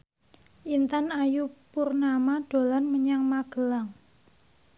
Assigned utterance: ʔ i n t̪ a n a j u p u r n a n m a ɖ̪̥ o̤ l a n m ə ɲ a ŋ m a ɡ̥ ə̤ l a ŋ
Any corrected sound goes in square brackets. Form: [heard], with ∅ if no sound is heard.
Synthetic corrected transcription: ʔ i n t̪ a n a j u p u r n a [∅] m a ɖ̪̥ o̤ l a n m ə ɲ a ŋ m a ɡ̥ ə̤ l a ŋ